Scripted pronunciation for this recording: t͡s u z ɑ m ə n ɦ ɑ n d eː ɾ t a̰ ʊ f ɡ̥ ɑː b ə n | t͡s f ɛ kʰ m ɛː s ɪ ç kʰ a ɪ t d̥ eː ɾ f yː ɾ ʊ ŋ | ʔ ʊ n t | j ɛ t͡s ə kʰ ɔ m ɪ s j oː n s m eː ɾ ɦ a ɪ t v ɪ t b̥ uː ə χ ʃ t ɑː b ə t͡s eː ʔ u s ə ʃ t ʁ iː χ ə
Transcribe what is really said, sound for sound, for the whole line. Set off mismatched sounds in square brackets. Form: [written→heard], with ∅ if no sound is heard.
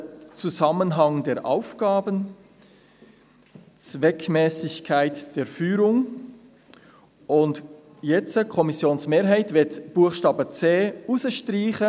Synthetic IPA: t͡s u z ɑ m ə n ɦ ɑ [n→ŋ] d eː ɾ [t→ʔ] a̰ ʊ f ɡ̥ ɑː b ə n | t͡s [f→v] ɛ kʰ m ɛː s ɪ ç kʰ a ɪ t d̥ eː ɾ f yː ɾ ʊ ŋ | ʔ ʊ n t | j ɛ t͡s ə kʰ ɔ m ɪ s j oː n s m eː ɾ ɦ a ɪ t v ɪ t b̥ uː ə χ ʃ t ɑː b ə t͡s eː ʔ u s ə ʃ t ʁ iː χ ə